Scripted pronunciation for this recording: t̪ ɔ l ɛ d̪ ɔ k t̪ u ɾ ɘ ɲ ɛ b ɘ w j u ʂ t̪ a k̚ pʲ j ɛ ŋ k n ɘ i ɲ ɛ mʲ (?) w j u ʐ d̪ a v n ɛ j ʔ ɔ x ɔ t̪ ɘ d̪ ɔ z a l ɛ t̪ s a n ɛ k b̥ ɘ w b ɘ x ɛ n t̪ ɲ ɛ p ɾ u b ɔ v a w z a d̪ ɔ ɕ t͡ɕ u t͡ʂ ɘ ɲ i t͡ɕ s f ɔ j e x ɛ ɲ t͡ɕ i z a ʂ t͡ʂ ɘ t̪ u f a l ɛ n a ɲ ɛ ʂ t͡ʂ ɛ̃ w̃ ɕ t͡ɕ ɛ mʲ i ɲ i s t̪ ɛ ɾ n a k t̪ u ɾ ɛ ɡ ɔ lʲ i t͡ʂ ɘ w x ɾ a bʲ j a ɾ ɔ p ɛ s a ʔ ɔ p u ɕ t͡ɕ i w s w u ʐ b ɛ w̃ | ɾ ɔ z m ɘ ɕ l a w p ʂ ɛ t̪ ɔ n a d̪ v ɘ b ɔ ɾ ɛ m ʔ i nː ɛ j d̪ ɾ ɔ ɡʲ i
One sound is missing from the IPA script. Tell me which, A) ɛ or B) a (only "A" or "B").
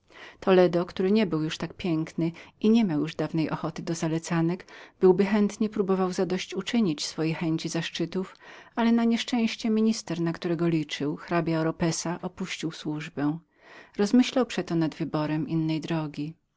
B